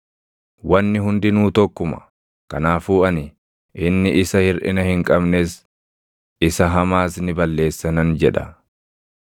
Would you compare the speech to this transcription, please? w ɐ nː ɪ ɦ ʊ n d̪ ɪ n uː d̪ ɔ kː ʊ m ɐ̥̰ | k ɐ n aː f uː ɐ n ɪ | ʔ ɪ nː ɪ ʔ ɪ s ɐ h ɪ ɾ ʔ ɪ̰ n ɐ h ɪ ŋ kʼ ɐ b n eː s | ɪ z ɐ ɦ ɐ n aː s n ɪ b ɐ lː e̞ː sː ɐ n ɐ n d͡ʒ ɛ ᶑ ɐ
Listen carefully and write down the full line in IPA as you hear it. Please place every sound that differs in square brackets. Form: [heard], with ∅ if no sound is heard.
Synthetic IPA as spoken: w ɐ nː ɪ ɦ ʊ n d̪ ɪ n uː [t̪] ɔ kː ʊ m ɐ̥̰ | k ɐ n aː f uː ɐ n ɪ | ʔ ɪ nː ɪ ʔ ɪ s ɐ h ɪ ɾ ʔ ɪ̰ n ɐ h ɪ ŋ kʼ ɐ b n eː s | ɪ [s] ɐ ɦ ɐ [m] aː s n ɪ b ɐ lː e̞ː sː ɐ n ɐ n d͡ʒ ɛ ᶑ ɐ